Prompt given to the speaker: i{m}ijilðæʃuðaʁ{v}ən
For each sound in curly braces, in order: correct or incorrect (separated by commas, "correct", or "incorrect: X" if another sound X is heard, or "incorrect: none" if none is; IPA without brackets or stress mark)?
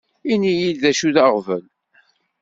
incorrect: n, correct